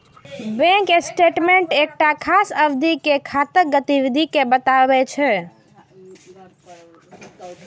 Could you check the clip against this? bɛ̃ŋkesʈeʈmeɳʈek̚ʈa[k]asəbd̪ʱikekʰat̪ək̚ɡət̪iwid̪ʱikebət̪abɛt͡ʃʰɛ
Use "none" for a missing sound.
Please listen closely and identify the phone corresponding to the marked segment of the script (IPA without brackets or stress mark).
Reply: kʰ